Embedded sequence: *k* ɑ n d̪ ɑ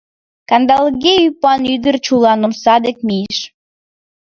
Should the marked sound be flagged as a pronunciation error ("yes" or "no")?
no